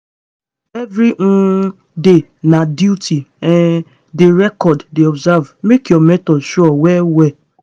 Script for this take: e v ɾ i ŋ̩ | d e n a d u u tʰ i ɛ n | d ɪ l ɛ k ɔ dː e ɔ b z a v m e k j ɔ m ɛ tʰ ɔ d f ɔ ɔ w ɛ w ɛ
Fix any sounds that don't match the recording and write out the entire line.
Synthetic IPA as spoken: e v ɾ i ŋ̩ | d e n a d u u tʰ i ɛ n | d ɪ ɾ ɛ k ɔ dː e ɔ b z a v m e k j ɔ m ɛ t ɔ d ʃ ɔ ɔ w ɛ w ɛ